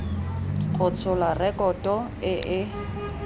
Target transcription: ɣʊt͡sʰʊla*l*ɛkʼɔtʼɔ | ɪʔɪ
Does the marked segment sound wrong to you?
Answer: yes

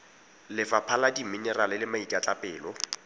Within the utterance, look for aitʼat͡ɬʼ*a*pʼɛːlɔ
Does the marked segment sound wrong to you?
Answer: no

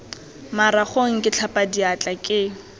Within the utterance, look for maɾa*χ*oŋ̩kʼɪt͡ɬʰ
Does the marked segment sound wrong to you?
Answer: no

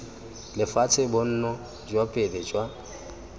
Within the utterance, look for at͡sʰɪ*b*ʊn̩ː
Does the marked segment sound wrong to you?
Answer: no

